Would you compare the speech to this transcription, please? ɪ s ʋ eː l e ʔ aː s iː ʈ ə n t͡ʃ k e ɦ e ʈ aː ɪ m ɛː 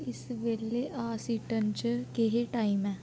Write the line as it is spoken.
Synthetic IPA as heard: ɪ s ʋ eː l e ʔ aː s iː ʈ ə n t͡ʃ k e ɦ e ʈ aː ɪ m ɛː